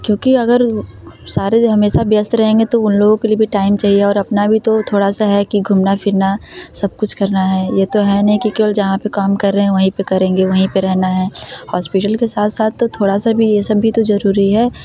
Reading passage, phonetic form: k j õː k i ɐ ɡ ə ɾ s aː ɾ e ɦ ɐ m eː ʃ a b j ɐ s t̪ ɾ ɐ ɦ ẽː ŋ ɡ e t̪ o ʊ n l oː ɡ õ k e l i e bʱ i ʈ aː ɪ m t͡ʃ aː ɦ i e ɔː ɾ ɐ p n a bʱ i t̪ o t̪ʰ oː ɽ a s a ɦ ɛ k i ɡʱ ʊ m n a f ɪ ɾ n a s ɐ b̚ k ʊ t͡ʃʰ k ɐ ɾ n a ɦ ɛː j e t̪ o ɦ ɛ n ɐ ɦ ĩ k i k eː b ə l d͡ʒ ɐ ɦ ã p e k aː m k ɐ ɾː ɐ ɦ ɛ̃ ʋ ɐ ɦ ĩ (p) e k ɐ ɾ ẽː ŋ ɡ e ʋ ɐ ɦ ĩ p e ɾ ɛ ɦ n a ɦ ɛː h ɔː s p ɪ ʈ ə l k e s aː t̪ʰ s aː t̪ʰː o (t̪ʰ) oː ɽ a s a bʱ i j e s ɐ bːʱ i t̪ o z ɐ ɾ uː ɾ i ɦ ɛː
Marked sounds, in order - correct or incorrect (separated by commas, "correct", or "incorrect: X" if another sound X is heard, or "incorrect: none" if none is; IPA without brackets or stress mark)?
correct, correct